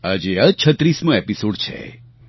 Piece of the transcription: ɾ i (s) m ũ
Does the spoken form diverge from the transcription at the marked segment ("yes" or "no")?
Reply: no